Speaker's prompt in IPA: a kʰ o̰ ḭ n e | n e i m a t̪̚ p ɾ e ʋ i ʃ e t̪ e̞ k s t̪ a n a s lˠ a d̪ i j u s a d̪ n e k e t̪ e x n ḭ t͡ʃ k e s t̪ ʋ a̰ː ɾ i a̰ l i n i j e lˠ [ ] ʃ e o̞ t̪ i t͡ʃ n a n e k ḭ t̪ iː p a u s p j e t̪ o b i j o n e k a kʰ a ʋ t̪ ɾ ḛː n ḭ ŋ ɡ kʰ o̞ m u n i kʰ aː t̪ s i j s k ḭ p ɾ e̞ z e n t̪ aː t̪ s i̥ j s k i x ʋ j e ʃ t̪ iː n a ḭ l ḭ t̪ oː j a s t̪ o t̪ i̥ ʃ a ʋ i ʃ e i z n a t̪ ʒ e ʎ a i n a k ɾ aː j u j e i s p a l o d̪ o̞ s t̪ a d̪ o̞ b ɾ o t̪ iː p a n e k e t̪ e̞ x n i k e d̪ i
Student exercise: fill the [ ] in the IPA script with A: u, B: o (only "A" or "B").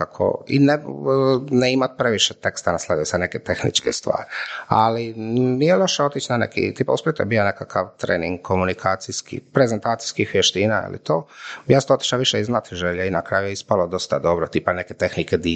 B